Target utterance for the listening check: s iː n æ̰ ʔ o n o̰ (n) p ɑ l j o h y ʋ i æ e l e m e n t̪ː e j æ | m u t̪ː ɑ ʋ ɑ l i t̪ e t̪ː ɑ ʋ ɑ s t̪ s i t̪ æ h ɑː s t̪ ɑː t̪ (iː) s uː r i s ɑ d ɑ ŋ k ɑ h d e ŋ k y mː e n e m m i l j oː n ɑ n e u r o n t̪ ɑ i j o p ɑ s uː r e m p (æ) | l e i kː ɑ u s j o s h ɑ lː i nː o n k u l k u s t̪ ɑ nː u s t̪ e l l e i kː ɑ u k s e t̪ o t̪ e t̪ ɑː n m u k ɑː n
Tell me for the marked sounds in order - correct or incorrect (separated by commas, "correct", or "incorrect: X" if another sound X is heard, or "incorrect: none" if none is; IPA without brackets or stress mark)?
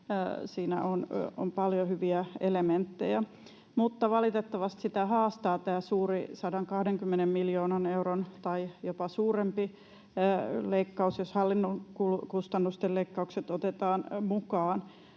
incorrect: m, incorrect: æː, incorrect: i